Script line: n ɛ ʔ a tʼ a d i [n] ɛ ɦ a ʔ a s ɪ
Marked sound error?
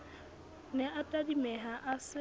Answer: yes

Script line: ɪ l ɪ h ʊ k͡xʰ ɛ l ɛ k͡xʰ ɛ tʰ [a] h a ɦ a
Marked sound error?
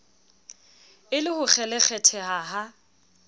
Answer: yes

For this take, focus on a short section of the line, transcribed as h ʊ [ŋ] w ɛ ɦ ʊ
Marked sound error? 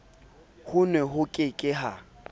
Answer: yes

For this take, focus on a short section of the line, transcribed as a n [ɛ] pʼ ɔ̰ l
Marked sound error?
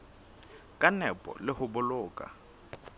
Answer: no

